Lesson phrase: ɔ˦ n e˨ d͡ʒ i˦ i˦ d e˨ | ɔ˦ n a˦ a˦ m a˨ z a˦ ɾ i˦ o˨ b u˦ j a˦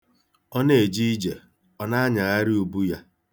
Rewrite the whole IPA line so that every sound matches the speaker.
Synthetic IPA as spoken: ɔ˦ n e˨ d͡ʒ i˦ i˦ d͡ʒ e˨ | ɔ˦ n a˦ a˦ ɲ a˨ ɣ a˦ ɾ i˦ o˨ b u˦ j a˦